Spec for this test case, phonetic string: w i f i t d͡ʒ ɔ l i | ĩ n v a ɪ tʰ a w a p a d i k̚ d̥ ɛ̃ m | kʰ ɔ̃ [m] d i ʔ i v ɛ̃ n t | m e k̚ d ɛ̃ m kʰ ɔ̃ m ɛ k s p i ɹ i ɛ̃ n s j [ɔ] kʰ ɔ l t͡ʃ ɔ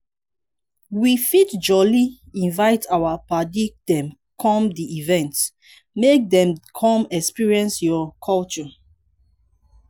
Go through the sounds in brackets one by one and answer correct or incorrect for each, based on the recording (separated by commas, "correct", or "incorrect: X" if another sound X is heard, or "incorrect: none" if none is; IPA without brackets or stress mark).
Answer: correct, correct